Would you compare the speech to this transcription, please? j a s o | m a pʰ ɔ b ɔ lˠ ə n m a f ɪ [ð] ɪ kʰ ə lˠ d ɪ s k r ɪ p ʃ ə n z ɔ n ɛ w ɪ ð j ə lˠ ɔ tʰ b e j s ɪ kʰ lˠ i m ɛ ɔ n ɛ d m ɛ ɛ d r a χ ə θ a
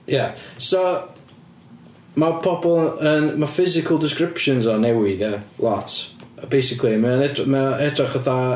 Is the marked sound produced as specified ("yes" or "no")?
no